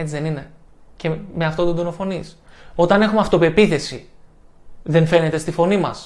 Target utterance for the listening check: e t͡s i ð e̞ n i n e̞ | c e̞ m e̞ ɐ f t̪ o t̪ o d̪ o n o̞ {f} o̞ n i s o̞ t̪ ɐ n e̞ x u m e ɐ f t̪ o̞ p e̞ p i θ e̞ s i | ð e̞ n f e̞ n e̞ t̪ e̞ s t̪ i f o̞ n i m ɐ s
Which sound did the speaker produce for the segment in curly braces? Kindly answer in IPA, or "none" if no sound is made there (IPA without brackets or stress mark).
f